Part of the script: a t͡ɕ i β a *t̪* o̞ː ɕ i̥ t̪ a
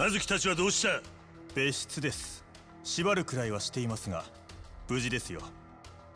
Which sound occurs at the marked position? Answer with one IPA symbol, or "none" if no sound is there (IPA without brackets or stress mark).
d̪